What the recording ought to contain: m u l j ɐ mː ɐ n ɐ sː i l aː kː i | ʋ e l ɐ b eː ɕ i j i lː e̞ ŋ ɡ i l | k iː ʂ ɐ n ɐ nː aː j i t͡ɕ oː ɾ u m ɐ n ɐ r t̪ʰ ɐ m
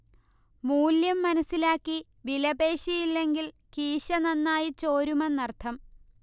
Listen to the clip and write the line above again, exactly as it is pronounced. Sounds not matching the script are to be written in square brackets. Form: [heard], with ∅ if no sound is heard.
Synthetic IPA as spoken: m [uː] l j ɐ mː ɐ n ɐ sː i l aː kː i | ʋ [i] l ɐ b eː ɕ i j i lː e̞ ŋ ɡ i l | k iː [ɕ] ɐ n ɐ nː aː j i t͡ɕ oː ɾ u m ɐ n ɐ r t̪ʰ ɐ m